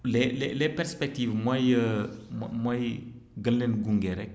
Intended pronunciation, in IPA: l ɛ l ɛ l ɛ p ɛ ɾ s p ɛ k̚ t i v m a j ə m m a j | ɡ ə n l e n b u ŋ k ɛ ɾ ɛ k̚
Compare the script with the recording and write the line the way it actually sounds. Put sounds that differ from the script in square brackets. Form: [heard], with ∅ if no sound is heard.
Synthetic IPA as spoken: l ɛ l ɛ l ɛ p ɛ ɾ s p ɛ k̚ t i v m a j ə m m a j | ɡ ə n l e n [ɡ] u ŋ [ɡ] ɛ ɾ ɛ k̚

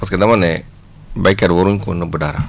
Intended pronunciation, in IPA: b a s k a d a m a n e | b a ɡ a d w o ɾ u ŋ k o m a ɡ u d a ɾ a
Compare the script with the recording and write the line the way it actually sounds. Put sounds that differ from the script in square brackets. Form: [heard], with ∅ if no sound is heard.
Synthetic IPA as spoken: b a s k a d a m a n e | b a [k] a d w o ɾ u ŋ k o [n] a [b] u d a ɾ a

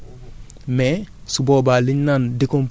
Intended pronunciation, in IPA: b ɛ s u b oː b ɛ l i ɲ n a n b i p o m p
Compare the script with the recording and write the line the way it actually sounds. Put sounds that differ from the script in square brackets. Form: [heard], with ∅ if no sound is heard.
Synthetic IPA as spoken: [m] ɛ s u b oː b [a] l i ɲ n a n [d] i [k] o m p

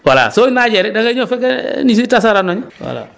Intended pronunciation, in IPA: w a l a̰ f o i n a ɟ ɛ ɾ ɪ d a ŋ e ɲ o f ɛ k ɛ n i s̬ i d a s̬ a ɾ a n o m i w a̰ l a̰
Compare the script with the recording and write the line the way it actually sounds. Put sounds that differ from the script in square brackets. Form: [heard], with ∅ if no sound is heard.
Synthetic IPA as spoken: w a l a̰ [s] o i n a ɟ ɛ ɾ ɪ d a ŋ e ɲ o f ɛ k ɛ n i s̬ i [t] a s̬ a ɾ a n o [ɲ] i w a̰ l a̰

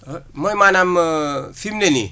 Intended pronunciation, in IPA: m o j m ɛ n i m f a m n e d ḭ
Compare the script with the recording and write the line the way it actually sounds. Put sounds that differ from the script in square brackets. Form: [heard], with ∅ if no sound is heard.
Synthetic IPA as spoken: m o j m [a] n [a] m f [i] m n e [n] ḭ

